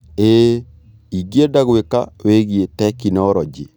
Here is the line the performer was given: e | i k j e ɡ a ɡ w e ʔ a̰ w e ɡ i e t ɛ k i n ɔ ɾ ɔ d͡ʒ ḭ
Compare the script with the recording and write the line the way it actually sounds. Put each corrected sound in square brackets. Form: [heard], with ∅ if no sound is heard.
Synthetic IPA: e | i [ɡ] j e [d] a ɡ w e [k] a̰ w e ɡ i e t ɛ k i n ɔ ɾ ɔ d͡ʒ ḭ